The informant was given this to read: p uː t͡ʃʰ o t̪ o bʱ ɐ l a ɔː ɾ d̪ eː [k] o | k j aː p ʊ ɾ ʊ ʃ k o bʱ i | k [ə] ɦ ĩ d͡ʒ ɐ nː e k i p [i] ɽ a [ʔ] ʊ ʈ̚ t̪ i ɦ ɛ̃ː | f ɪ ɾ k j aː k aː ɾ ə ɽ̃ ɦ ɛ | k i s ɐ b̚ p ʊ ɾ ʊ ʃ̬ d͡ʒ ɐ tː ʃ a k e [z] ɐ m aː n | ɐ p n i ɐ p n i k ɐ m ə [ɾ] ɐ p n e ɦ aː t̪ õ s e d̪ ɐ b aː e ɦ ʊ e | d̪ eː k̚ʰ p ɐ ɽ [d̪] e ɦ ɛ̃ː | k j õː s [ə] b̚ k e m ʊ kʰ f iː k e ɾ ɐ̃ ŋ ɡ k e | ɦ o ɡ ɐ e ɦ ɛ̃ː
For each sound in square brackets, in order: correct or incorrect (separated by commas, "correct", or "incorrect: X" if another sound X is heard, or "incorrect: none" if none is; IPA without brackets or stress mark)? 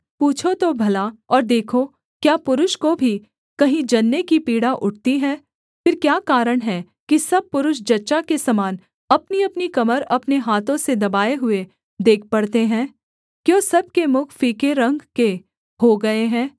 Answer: incorrect: kʰ, incorrect: ɐ, incorrect: iː, correct, incorrect: s, correct, incorrect: t̪, incorrect: ɐ